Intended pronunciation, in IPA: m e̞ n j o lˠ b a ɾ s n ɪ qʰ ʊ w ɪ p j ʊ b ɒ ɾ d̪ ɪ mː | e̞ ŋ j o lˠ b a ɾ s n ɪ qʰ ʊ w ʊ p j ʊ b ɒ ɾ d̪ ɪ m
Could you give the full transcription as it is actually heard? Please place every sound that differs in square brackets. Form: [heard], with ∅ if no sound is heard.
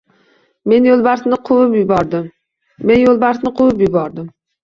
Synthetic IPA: m e̞ n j o lˠ b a ɾ s n ɪ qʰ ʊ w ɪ p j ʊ b ɒ ɾ d̪ ɪ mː | e̞ [n] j o lˠ b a ɾ s n ɪ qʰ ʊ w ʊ p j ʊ b ɒ ɾ d̪ ɪ m